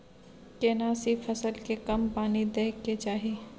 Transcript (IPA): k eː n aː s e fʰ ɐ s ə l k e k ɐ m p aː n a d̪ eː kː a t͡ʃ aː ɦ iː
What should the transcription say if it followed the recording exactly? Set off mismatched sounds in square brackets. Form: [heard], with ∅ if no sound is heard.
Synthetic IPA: k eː n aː s [i] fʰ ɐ s ə l k e k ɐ m p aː n [i] d̪ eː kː [e] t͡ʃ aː ɦ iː

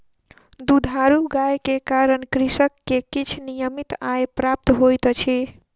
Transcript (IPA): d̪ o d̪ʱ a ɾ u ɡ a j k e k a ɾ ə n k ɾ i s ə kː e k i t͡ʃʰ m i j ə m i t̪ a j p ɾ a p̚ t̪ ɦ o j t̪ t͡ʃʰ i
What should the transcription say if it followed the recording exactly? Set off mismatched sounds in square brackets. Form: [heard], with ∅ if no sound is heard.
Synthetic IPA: d̪ [u] d̪ʱ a ɾ u ɡ a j k e k a ɾ ə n k ɾ i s ə kː e k i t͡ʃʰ [n] i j ə m i t̪ a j p ɾ a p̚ t̪ ɦ o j t̪ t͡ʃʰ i

